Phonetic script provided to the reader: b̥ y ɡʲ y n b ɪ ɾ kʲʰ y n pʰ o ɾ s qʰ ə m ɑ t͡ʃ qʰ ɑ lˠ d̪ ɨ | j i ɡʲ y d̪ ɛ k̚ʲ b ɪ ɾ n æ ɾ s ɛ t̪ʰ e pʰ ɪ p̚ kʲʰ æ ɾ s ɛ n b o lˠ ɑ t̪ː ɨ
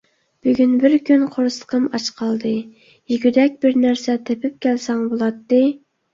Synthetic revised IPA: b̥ y ɡʲ y n b ɪ ɾ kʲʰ y n qʰ o ɾ s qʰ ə m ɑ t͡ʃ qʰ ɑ lˠ d̪ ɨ | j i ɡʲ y d̪ ɛ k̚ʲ b ɪ ɾ n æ ɾ s ɛ t̪ʰ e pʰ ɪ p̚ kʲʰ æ l s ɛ ŋ b o lˠ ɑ t̪ː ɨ